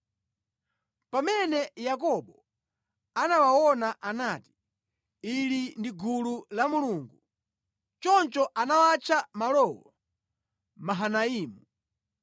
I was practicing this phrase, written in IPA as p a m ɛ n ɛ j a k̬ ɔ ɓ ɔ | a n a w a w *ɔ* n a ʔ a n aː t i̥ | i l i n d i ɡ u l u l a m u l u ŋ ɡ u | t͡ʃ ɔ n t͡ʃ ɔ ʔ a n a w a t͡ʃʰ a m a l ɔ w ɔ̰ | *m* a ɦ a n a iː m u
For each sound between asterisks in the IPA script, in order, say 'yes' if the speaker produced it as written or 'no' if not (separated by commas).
yes, yes